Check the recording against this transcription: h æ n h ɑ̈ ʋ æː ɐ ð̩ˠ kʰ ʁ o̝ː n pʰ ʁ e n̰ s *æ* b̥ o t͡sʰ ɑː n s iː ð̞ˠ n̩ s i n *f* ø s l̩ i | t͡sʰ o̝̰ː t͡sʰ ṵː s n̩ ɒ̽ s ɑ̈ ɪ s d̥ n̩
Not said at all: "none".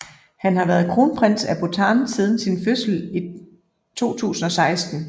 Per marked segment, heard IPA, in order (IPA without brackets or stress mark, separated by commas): æ, f